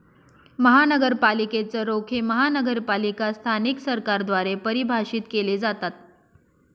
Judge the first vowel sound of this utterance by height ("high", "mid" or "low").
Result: mid